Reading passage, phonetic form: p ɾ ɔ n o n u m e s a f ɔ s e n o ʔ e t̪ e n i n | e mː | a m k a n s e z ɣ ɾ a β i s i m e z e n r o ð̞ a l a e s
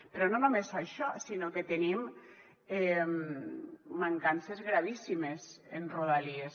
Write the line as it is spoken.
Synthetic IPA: p ɾ ɔ n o n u m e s a ʃ ɔ s i n o k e t̪ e n i m | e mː | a ŋ k a n s e z ɣ ɾ a β i s i m e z e n r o ð̞ a l i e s

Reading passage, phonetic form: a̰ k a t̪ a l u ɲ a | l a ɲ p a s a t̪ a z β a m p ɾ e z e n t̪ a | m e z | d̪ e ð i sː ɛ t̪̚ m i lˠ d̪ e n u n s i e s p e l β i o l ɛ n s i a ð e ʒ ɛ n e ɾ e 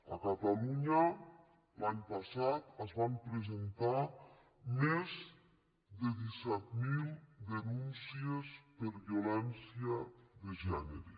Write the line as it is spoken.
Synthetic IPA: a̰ k a t̪ a l u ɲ a | l a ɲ p a s a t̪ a z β a m p ɾ e z e n t̪ a | m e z | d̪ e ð i s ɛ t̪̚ m i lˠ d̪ e n u n s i e s p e ɾ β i o l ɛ n s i a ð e ʒ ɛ n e ɾ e

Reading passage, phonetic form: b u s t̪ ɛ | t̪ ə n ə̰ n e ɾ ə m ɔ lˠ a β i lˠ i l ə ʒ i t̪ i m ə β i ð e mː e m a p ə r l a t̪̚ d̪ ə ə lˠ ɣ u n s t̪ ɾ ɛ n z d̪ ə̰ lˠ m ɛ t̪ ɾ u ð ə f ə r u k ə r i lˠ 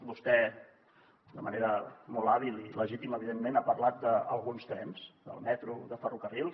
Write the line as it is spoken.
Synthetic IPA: b u s t̪ ɛ | d̪ ə m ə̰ n e ɾ ə m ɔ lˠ a β i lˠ i l ə ʒ i t̪ i m ə β i ð e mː e n a p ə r l a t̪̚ d̪ ə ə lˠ ɣ u n s t̪ ɾ ɛ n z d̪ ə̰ lˠ m ɛ t̪ ɾ u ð ə f ə r u k ə r i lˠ

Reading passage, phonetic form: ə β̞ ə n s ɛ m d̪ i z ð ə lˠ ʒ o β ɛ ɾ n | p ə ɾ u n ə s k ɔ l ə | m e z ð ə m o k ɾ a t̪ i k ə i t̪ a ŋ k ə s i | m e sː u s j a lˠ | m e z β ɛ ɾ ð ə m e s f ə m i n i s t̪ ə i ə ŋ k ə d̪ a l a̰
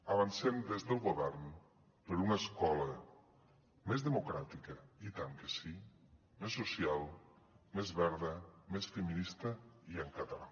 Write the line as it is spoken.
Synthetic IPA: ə β̞ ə n s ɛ m d̪ e z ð ə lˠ ɣ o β ɛ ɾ n | p ə ɾ u n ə s k ɔ l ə | m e z ð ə m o k ɾ a t̪ i k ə i t̪ a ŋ k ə s i | m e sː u s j a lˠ | m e z β ɛ ɾ ð ə m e s f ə m i n i s t̪ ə i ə ŋ k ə t̪ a l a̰

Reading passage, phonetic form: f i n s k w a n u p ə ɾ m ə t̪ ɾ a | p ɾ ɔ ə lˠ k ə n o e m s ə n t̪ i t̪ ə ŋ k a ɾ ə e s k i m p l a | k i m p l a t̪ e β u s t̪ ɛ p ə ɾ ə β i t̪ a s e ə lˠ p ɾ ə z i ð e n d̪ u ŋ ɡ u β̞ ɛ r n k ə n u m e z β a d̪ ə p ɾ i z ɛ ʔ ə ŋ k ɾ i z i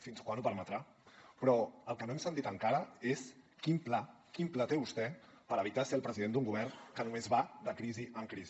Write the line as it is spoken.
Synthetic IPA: f i n s k w a n u p ə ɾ m ə t̪ ɾ a | p ɾ ɔ ə lˠ k ə n o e m s ə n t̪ i t̪ ə ŋ k a ɾ ə e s k i m p l a | k i m p l a t̪ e β u s t̪ ɛ p ə ɾ ə β i t̪ a s e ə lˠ p ɾ ə z i ð e n d̪ u ŋ ɡ u β̞ ɛ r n k ə n u m e z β a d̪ ə k ɾ i z i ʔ ə ŋ k ɾ i z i

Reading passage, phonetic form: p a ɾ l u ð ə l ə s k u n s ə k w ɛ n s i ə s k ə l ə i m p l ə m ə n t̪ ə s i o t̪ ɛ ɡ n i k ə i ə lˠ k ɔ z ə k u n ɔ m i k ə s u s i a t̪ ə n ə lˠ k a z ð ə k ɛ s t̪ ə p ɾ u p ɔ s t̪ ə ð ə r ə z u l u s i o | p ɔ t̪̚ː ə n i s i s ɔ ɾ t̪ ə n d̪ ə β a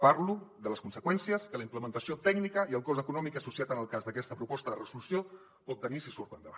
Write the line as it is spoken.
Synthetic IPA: p a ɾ l u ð ə l ə s k u n s ə k w ɛ n s i ə s k ə l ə i m p l ə m ə n t̪ ə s i o t̪ ɛ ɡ n i k ə i ə lˠ k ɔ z ə k u n ɔ m i k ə s u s i a t̪ ə n ə lˠ k a z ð ə k ɛ s t̪ ə p ɾ u p ɔ s t̪ ə ð ə r ə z u l u s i o | p ɔ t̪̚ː ə n i s i s u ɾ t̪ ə n d̪ ə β a

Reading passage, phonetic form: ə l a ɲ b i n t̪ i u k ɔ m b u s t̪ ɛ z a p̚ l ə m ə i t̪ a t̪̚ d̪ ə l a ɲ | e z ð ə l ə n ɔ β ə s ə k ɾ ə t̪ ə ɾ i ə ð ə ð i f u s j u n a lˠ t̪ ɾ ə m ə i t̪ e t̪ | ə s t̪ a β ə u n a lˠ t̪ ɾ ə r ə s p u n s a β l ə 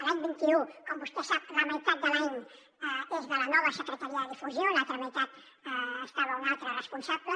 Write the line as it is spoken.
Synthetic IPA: ə l a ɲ b i n t̪ i u k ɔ m b u s t̪ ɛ s a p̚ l ə m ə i t̪ a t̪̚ d̪ ə l a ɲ | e z ð ə l ə n ɔ β ə s ə k ɾ ə t̪ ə ɾ i ə ð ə ð i f u z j o n a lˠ t̪ ɾ ə m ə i t̪ a t̪ | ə s t̪ a β ə u n a lˠ t̪ ɾ ə r ə s p u n s a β l ə

